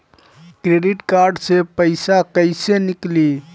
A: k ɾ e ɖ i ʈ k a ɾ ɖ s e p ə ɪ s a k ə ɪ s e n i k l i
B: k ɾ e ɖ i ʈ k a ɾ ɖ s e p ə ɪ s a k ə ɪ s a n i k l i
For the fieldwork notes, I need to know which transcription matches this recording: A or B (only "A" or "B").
A